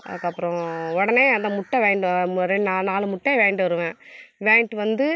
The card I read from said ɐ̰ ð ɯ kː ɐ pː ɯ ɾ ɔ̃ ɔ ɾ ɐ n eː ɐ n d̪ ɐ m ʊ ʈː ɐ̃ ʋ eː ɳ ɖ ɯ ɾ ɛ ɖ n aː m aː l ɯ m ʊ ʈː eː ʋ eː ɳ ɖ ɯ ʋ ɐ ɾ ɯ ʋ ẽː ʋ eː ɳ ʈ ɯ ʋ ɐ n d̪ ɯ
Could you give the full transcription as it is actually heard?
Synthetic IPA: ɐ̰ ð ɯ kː ɐ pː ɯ ɾ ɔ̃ ɔ ɽ ɐ n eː ɐ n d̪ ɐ m ʊ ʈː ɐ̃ ʋ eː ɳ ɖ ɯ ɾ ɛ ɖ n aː n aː l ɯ m ʊ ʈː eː ʋ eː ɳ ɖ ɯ ʋ ɐ ɾ ɯ ʋ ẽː ʋ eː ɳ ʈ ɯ ʋ ɐ n d̪ ɯ